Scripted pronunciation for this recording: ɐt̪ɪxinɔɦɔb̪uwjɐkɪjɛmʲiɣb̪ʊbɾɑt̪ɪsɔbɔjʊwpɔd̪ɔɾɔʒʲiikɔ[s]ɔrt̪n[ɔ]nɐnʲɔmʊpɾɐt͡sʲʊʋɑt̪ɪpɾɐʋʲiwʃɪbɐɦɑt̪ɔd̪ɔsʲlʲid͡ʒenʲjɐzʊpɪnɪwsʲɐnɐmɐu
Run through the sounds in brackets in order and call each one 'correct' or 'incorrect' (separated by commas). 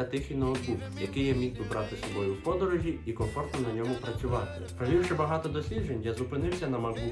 incorrect, correct